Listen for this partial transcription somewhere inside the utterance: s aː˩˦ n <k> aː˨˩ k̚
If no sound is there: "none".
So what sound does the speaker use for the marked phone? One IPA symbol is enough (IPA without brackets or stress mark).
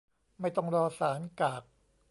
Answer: k